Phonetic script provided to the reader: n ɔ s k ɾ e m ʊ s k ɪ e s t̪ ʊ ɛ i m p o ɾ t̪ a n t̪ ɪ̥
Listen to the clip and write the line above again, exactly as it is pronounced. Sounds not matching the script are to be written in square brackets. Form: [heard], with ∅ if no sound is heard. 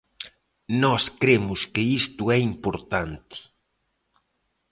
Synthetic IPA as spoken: n ɔ s k ɾ e m ʊ s k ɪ [i] s t̪ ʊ ɛ i m p o ɾ t̪ a n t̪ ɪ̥